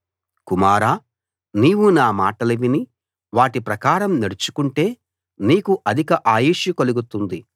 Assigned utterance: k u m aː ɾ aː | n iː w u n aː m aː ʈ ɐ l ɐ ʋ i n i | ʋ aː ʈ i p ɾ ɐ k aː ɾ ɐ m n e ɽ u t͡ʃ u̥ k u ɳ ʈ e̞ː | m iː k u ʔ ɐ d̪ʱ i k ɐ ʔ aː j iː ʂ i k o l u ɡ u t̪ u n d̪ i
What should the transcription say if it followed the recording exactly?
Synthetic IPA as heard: k u m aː ɾ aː | n iː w u n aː m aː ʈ ɐ l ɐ ʋ i n i | ʋ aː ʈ i p ɾ ɐ k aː ɾ ɐ m n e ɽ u t͡ʃ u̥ k u ɳ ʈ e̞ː | n iː k u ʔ ɐ d̪ʱ i k ɐ ʔ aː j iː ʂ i k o l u ɡ u t̪ u n d̪ i